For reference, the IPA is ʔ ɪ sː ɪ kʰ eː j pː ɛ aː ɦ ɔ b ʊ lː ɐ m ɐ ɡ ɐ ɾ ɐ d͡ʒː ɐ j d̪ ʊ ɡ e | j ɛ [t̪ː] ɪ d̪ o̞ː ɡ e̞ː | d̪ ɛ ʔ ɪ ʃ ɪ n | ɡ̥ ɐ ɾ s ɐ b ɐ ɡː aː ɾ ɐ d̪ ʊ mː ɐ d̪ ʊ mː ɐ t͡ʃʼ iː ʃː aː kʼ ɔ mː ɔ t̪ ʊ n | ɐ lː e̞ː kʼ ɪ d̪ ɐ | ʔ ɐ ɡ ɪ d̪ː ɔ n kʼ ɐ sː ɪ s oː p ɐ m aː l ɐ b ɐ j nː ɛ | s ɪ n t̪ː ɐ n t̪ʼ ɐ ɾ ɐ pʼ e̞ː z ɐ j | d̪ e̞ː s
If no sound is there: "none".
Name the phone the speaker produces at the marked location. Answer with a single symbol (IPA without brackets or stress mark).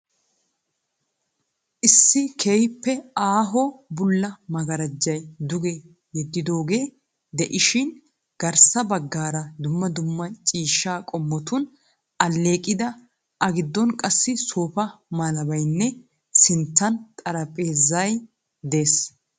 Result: d̪ː